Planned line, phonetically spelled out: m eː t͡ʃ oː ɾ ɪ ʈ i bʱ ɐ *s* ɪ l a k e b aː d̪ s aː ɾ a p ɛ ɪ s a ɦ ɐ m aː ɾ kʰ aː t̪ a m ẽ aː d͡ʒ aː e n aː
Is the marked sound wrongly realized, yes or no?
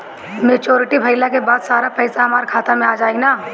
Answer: yes